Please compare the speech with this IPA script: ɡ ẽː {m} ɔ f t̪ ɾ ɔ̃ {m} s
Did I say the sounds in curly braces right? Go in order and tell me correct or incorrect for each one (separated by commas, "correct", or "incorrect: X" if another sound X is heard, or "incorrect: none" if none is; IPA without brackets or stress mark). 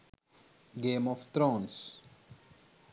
correct, incorrect: n